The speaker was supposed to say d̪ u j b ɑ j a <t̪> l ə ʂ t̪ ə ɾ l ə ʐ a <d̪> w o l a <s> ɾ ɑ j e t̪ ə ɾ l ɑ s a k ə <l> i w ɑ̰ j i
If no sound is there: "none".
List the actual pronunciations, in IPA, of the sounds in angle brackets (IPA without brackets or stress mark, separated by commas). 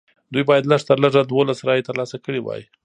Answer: d̪, d̪, s, ɽ